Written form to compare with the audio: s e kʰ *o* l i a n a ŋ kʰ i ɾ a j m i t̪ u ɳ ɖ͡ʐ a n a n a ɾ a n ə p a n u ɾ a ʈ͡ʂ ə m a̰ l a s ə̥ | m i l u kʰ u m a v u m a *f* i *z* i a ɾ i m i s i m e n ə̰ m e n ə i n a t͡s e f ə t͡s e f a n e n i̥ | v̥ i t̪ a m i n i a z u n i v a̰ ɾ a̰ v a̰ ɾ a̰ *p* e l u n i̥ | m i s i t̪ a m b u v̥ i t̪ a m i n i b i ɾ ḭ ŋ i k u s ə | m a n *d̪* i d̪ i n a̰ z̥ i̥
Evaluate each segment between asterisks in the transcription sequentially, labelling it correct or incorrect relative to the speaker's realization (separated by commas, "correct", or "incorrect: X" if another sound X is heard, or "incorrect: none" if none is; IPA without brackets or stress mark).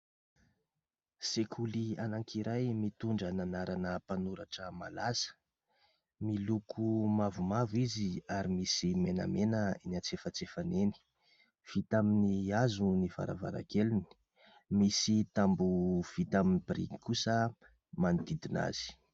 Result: incorrect: u, incorrect: v, correct, incorrect: k, correct